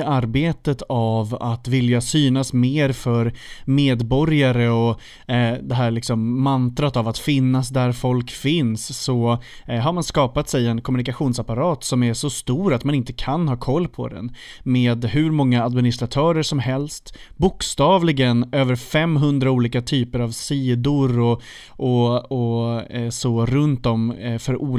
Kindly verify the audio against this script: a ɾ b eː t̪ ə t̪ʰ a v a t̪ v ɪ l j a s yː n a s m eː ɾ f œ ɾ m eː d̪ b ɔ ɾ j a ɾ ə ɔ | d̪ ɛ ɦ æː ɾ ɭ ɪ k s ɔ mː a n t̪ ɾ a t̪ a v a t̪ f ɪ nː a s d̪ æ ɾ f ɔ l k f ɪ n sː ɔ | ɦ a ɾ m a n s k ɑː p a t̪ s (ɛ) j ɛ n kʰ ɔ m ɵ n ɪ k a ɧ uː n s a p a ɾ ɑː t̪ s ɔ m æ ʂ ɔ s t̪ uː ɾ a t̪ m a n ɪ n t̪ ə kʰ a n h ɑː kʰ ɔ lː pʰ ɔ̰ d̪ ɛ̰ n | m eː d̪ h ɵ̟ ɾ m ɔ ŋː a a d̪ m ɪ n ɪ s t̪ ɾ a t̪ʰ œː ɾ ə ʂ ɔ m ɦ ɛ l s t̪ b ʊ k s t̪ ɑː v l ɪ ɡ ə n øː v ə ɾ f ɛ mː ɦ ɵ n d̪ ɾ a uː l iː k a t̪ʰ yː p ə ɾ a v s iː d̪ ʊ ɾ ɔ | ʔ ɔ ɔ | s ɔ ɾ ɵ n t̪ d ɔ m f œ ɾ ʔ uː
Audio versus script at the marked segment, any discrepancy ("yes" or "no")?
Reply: no